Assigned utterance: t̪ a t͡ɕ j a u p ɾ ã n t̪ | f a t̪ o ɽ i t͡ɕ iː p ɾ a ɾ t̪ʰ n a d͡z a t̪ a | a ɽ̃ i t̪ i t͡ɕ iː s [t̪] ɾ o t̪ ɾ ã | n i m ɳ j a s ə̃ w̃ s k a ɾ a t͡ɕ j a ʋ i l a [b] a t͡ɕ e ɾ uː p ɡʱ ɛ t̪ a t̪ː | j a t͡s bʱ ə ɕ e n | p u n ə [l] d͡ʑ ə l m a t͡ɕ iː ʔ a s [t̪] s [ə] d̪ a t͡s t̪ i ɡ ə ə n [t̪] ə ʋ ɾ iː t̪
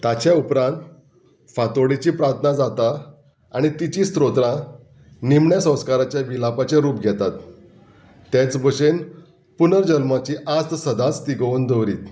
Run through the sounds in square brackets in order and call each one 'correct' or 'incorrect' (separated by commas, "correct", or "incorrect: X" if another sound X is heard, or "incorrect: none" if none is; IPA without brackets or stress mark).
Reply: correct, incorrect: p, incorrect: ɾ, correct, correct, incorrect: d̪